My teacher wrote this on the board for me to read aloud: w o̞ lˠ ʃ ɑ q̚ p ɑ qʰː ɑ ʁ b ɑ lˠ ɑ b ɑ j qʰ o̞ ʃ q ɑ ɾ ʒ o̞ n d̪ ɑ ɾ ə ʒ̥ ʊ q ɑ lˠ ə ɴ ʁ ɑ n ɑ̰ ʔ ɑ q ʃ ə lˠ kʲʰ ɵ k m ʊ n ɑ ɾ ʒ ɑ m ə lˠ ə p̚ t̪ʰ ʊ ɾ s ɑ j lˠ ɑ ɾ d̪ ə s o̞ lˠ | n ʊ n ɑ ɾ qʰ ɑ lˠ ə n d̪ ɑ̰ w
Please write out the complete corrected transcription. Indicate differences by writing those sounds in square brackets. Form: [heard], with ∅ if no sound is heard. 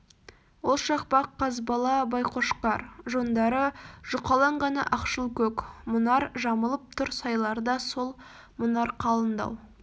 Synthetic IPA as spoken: w o̞ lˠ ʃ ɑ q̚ p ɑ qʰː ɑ [z] b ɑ lˠ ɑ b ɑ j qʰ o̞ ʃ q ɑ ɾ ʒ o̞ n d̪ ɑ ɾ ə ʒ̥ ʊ q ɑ lˠ [ɑ] ɴ ʁ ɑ n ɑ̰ ʔ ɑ q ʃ ə lˠ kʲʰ ɵ k m ʊ n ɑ ɾ ʒ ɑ m ə lˠ ə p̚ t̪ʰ ʊ ɾ s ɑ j lˠ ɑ ɾ d̪ [ɑ] s o̞ lˠ | [m] ʊ n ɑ ɾ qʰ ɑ lˠ ə n d̪ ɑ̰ w